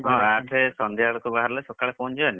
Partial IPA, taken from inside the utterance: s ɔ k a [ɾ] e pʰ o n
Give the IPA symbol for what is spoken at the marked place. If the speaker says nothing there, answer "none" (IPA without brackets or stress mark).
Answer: ɭ